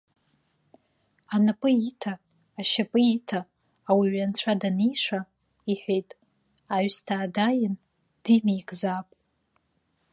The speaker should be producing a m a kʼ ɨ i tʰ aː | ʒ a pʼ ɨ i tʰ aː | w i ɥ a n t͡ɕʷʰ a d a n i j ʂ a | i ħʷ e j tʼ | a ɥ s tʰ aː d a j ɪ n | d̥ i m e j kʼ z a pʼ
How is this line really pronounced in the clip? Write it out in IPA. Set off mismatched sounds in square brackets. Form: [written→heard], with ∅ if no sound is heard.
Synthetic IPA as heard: a [m→n] a [kʼ→pʼ] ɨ i tʰ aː | [ʒ→ʃ] a pʼ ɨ i tʰ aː | w i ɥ a n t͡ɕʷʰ a d a n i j ʂ a | i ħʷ e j tʼ | a ɥ s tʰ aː d a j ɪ n | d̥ i m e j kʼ z a pʼ